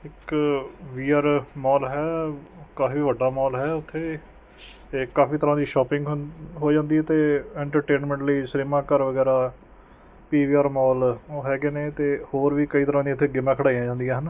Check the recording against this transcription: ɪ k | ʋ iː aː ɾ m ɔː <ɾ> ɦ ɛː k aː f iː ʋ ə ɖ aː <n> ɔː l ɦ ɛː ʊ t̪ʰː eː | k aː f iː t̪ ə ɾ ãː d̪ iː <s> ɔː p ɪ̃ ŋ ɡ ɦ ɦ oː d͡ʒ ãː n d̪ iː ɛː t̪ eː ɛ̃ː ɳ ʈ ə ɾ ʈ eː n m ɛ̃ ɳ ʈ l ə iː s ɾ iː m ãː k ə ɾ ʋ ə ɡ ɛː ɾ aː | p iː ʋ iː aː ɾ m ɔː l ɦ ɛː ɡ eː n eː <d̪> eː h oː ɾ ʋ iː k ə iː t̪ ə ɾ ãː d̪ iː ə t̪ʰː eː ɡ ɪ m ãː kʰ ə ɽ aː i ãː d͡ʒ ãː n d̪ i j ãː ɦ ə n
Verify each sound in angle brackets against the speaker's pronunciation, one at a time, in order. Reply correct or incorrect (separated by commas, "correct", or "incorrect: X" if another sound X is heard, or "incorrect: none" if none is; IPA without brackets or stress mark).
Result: incorrect: l, incorrect: m, incorrect: ʃ, incorrect: t̪